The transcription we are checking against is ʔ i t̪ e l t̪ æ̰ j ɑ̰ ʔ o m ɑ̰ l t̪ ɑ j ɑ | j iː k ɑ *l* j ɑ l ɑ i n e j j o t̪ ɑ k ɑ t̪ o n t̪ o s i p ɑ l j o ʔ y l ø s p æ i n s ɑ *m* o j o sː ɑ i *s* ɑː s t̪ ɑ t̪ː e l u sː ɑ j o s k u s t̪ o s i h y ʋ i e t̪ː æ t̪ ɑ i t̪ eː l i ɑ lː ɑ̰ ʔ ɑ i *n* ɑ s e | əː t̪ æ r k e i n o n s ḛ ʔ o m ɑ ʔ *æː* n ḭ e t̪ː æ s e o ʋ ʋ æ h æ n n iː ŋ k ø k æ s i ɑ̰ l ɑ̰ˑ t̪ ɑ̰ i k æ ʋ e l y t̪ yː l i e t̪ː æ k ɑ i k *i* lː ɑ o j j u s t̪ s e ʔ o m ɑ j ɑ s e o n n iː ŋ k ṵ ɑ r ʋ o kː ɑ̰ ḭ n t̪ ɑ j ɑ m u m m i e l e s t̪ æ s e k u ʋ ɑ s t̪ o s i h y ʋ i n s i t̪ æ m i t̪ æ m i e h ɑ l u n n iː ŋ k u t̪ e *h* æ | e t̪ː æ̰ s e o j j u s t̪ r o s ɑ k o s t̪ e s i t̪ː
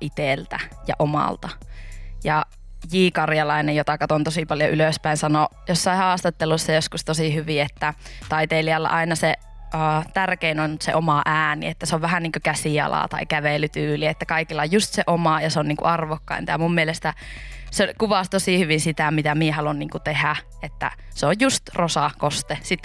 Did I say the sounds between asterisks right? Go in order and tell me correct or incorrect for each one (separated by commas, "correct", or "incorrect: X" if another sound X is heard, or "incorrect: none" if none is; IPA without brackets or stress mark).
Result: incorrect: r, incorrect: n, incorrect: h, correct, correct, correct, correct